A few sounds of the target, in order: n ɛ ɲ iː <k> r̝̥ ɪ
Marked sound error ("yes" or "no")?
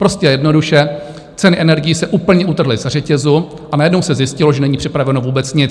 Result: yes